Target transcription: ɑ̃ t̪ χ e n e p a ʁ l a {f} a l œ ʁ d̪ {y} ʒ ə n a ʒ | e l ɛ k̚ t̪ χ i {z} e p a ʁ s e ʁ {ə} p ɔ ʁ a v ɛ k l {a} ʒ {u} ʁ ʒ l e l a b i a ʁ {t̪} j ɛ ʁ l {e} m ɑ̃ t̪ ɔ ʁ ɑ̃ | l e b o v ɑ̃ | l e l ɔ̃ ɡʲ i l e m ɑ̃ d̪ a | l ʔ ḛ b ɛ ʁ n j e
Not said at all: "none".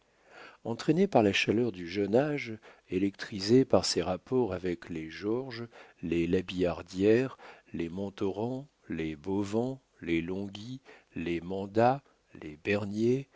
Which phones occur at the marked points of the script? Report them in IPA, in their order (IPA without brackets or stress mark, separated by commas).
ʃ, y, z, a, e, ɔ, d̪, e